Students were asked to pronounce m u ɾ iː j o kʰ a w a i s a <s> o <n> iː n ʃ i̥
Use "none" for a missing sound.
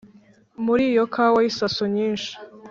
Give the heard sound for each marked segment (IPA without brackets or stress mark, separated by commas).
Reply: s, ɲ